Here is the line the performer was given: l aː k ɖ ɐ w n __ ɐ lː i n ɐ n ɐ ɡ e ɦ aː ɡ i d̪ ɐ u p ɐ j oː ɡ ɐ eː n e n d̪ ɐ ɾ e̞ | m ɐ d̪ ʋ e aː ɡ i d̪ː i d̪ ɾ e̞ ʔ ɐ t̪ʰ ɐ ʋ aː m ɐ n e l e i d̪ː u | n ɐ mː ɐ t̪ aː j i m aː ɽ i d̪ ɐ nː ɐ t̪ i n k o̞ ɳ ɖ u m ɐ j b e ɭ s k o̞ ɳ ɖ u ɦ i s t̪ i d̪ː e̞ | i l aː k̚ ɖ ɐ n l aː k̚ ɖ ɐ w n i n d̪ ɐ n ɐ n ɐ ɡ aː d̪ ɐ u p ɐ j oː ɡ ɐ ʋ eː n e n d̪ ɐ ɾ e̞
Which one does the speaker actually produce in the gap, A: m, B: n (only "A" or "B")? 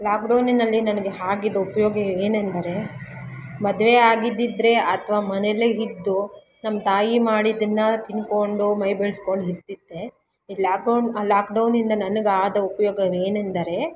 B